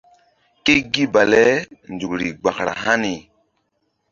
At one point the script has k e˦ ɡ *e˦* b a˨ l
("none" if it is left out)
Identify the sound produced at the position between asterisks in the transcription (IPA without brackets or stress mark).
i˦